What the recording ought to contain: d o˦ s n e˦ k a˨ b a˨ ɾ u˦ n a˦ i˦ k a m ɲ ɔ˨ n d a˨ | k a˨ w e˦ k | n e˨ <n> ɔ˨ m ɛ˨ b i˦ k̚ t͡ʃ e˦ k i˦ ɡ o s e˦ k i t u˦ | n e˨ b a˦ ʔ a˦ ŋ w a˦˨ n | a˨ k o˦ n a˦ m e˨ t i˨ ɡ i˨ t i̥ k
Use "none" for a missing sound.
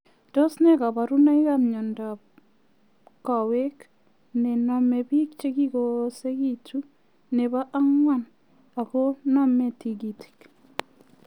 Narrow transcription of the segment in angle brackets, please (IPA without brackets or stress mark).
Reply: n